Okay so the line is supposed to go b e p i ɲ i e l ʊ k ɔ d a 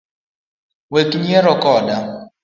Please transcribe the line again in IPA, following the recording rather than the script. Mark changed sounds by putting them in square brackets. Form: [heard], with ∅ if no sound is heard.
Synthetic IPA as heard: [w] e [k] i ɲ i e [ɾ] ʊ k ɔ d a